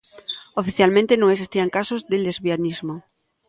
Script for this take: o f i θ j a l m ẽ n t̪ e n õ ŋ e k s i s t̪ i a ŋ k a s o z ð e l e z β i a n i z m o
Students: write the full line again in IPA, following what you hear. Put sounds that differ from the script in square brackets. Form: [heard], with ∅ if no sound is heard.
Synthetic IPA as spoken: o f i θ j a l m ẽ n t̪ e n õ ŋ e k s i s t̪ i a ŋ k a s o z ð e l e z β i a n i z m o